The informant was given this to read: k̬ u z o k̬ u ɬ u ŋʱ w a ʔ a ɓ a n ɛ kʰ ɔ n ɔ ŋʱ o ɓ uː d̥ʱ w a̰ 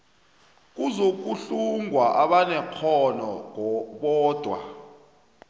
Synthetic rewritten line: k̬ u z o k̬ u ɬ u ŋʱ w a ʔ a ɓ a n ɛ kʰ ɔ n ɔ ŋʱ ɔ ɓ ɔː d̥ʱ w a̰